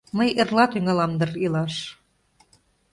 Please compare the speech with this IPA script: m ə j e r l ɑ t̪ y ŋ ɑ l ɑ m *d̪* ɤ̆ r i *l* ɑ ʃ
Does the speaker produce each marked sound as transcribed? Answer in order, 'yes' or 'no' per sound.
yes, yes

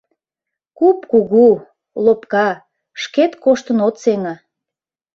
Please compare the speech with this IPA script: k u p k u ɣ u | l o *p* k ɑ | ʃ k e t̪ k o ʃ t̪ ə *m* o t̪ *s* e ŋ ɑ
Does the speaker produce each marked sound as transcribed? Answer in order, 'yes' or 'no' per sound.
yes, no, yes

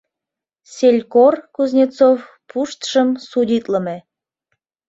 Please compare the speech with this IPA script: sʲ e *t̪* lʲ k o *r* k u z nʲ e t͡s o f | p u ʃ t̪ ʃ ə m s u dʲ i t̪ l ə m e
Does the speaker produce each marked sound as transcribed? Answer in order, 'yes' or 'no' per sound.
no, yes

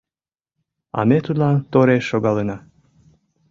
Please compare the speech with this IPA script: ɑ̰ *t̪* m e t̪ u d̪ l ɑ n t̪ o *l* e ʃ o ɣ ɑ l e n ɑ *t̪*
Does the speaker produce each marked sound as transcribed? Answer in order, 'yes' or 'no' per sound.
no, no, no

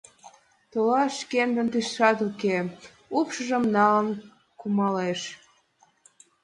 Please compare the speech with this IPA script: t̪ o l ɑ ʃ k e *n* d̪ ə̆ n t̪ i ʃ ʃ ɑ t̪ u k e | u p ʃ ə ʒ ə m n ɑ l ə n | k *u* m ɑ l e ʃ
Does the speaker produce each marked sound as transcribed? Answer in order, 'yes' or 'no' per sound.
yes, yes

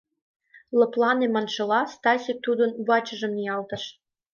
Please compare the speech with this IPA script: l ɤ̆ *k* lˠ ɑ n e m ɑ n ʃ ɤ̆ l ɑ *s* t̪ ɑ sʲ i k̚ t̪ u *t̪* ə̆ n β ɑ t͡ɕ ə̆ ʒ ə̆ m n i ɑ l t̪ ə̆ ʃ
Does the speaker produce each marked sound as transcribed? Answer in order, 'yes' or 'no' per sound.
no, yes, no

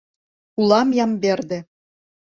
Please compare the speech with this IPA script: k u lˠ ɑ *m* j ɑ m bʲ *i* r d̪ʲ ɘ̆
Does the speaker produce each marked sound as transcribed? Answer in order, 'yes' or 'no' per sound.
yes, no

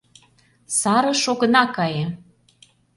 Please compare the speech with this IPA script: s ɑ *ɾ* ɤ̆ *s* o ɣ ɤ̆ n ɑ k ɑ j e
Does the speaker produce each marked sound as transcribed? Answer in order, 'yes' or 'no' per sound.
yes, no

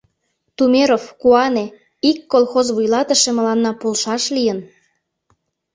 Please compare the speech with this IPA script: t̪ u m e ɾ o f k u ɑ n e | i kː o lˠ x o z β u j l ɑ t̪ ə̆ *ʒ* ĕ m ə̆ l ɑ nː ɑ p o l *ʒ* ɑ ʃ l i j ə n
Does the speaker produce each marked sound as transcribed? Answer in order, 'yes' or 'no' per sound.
no, no

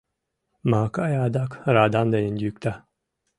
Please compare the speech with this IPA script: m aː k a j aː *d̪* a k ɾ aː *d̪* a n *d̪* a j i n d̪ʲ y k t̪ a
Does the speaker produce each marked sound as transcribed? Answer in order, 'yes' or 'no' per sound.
yes, yes, yes

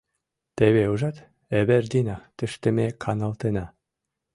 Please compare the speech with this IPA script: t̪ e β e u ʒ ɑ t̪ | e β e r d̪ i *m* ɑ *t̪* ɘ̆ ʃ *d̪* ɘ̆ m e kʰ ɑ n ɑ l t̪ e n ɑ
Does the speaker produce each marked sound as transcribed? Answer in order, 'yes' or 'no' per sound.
no, yes, no

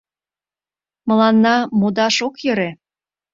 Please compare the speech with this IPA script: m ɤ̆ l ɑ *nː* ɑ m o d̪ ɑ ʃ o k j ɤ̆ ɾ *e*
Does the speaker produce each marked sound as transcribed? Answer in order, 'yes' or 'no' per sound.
yes, yes

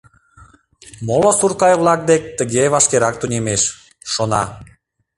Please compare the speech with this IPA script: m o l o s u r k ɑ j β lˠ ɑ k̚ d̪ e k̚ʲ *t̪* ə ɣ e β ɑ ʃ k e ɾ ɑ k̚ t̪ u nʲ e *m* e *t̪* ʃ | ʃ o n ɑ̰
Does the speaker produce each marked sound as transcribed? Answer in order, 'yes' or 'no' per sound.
yes, yes, no

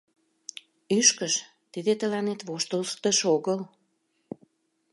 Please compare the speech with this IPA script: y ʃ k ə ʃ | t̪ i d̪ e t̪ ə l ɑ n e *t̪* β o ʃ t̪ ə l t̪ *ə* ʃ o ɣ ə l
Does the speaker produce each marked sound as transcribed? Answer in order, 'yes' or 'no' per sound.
yes, yes

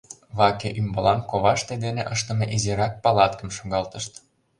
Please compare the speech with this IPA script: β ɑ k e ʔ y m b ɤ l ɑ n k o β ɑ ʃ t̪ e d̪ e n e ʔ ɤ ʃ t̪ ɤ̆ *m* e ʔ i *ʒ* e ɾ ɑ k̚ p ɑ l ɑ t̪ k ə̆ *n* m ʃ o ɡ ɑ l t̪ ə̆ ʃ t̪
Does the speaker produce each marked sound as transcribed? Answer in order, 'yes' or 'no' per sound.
yes, no, no

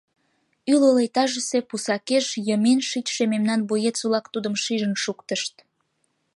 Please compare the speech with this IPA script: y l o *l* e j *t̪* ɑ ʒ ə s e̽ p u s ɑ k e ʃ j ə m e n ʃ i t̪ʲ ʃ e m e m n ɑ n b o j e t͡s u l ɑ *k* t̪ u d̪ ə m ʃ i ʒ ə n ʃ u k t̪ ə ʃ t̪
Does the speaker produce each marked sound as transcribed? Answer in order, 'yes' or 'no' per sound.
yes, yes, yes

